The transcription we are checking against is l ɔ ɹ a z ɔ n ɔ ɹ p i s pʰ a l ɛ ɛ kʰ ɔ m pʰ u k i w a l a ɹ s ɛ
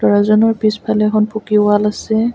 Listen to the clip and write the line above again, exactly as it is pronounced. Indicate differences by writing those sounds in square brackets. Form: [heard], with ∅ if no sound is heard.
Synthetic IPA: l ɔ ɹ a z ɔ n ɔ ɹ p i s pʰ a l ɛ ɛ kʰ ɔ [n] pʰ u k i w a l a [∅] s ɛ